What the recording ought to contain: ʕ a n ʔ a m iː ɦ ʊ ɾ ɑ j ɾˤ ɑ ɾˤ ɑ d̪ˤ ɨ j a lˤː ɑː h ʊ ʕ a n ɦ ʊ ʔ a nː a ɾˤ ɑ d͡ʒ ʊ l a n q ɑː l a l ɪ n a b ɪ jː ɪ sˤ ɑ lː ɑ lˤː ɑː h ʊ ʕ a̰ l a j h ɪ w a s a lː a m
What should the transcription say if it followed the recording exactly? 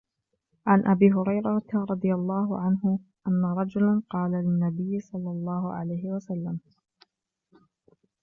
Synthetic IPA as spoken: ʕ a n ʔ a b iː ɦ ʊ ɾ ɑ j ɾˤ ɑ ɾˤ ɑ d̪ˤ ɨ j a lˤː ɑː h ʊ ʕ a n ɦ ʊ ʔ a nː a ɾˤ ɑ d͡ʒ ʊ l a n q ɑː l a l ɪ nː a b ɪ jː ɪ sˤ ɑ lː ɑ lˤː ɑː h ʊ ʕ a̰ l a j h ɪ w a s a lː a m